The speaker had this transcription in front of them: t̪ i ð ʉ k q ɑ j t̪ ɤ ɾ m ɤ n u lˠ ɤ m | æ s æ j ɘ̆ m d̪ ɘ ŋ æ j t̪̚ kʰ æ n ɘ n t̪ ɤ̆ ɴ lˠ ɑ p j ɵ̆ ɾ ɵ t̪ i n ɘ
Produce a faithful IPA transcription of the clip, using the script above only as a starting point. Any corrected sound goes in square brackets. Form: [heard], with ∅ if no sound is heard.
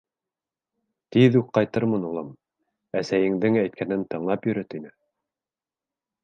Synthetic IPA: t̪ i ð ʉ k q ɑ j t̪ ɤ ɾ m ɤ n u lˠ ɤ m | æ s æ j ɘ̆ [ŋ] d̪ ɘ ŋ æ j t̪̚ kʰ æ n ɘ n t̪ ɤ̆ ɴ lˠ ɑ p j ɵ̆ ɾ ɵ t̪ i n ɘ